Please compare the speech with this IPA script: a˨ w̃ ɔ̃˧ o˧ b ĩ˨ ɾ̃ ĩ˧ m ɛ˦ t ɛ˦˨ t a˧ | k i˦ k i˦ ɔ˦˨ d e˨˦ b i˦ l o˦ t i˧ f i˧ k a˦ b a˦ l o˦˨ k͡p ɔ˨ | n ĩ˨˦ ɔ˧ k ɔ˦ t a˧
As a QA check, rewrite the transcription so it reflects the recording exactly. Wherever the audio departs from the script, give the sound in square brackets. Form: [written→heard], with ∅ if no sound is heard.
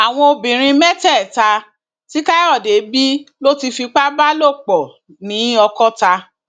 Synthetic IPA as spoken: a˨ w̃ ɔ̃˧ o˧ b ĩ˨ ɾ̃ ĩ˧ m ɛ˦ t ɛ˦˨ t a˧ | [k→t] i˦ k [i˦→a˦] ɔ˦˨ d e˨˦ b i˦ l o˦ t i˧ f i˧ [k→k͡p] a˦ b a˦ l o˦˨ k͡p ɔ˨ | n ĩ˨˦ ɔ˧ k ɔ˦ t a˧